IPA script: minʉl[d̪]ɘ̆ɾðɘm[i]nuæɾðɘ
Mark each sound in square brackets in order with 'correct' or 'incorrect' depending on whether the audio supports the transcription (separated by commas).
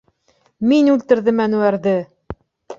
incorrect, incorrect